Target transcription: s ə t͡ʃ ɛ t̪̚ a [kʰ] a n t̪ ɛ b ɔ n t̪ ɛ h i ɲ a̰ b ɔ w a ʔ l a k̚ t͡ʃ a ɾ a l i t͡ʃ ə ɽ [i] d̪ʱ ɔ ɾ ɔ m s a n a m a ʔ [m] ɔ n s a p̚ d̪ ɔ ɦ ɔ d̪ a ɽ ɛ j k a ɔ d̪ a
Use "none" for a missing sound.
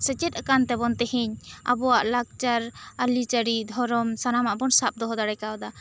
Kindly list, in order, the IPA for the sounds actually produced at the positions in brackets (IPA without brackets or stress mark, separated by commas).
k, i, b